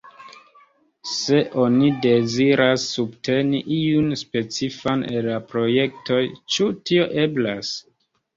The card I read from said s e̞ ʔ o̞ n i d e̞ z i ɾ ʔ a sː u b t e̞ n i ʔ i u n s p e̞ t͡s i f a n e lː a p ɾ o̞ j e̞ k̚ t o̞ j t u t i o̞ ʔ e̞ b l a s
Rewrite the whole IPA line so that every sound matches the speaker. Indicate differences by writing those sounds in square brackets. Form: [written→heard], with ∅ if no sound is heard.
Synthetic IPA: s e̞ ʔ o̞ n i d e̞ z i ɾ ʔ a sː u b t e̞ n i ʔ i u n s p e̞ t͡s i f a n e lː a p ɾ o̞ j e̞ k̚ t o̞ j [t→t͡ʃ] u t i o̞ ʔ e̞ b l a s

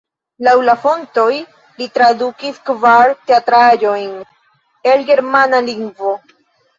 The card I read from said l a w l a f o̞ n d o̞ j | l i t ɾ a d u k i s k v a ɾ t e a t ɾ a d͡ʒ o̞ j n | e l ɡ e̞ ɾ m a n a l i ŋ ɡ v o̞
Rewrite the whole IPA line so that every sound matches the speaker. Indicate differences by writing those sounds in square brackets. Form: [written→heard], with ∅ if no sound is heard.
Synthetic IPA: l a w l a f o̞ n [d→t] o̞ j | l i t ɾ a d u k i s k v a ɾ t e a t ɾ a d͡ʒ o̞ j n | e l ɡ e̞ ɾ m a n a l i ŋ ɡ v o̞

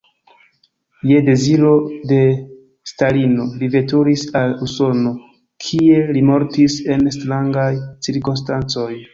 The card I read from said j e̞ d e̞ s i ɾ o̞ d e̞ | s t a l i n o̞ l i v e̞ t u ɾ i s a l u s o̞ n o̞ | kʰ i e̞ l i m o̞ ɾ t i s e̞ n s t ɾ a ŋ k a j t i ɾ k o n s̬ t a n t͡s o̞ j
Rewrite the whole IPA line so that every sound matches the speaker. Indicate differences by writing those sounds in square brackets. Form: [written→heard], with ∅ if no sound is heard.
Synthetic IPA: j e̞ d e̞ [s→z] i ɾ o̞ d e̞ | s t a l i n o̞ l i v e̞ t u ɾ i s a l u s o̞ n o̞ | kʰ i e̞ l i m o̞ ɾ t i s e̞ n s t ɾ a ŋ [k→ɡ] a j [t→t͡s] i ɾ k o n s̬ t a n t͡s o̞ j

